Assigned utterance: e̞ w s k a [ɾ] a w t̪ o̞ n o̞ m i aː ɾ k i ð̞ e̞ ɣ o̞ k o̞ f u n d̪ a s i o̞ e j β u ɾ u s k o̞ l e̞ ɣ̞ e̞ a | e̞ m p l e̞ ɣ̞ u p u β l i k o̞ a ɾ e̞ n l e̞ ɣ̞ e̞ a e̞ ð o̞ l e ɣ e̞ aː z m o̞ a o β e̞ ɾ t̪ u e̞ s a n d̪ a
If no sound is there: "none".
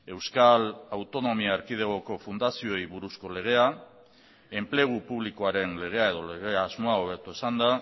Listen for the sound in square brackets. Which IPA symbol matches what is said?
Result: l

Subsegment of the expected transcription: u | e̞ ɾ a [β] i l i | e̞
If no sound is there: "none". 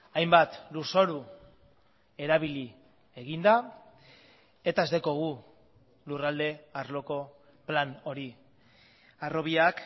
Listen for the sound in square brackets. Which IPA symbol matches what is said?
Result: β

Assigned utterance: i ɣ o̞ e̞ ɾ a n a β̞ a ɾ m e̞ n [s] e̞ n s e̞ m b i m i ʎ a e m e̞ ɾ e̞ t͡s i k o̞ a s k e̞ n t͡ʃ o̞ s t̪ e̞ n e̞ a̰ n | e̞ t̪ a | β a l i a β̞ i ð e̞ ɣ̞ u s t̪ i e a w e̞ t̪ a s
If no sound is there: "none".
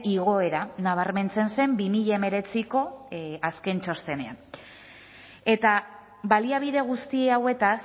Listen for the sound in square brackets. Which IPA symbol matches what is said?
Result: t͡s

